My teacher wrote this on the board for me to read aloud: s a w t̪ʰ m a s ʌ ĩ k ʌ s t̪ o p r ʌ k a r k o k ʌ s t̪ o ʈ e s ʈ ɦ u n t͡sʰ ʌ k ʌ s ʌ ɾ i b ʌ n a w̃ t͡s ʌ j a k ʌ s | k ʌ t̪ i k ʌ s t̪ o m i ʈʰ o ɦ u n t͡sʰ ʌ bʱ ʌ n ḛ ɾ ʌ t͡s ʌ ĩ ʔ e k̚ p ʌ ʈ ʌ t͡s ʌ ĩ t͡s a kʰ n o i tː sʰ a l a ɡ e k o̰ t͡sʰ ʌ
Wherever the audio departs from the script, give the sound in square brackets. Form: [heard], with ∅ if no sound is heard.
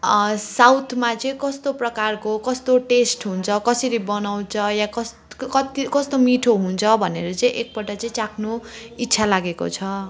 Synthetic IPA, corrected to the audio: s a w t̪ʰ m a [t͡s] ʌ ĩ k ʌ s t̪ o p r ʌ k a r k o k ʌ s t̪ o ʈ e s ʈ ɦ u n t͡sʰ ʌ k ʌ s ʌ ɾ i b ʌ n a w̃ [t͡sʰ] ʌ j a k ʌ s | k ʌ t̪ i k ʌ s t̪ o m i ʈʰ o ɦ u n t͡sʰ ʌ bʱ ʌ n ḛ ɾ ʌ t͡s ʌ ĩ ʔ e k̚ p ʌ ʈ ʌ t͡s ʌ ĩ t͡s a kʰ n o i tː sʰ a l a ɡ e k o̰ t͡sʰ ʌ